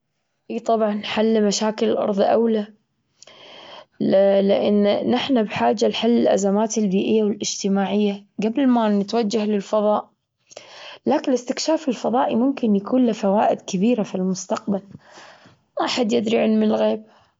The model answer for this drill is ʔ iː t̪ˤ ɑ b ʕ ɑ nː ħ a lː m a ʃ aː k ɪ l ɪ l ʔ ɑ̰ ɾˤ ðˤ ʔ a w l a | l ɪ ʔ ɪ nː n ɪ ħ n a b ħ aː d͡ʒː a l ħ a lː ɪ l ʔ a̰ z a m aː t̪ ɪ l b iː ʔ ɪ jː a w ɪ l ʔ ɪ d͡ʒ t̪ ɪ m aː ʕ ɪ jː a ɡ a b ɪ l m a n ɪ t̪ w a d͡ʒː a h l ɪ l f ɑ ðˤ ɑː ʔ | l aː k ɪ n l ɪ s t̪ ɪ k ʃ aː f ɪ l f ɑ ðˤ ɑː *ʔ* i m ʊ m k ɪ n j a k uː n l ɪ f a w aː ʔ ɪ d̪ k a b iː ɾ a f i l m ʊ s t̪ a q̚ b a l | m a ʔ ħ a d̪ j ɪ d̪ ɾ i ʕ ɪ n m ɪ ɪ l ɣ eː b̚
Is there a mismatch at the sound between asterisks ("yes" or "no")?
no